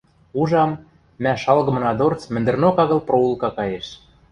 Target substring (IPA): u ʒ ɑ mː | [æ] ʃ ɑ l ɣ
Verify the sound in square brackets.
correct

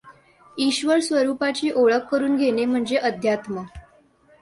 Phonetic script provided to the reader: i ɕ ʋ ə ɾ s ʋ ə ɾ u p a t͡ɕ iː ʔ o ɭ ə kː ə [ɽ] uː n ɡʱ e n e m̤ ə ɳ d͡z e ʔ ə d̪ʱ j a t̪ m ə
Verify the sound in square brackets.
incorrect: ɾ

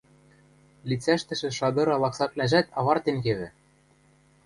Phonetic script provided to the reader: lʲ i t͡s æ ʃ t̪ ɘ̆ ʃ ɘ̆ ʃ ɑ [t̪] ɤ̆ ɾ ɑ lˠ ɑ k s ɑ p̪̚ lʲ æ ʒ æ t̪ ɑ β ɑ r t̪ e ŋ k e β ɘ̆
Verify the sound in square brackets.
incorrect: d̪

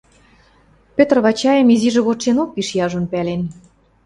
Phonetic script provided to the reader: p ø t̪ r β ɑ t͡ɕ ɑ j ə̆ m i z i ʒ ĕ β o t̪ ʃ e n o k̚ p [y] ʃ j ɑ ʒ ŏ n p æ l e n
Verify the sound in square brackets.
incorrect: i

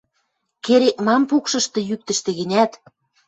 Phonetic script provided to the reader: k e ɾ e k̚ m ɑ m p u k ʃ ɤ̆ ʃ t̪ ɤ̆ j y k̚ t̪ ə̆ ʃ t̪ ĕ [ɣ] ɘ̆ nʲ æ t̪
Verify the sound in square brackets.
correct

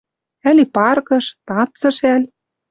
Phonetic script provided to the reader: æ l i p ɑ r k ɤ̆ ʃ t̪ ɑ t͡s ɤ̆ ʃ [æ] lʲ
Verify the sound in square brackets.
correct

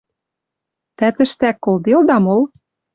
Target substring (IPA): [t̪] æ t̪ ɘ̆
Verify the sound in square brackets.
correct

